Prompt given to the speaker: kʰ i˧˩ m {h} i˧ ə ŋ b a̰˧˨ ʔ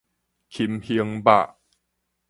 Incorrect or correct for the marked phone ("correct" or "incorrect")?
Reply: correct